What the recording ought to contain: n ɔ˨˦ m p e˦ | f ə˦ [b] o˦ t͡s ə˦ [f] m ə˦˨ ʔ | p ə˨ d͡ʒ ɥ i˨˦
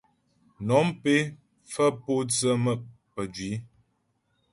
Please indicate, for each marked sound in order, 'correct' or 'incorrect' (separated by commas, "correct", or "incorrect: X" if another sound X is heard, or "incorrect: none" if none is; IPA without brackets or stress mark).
incorrect: p, incorrect: none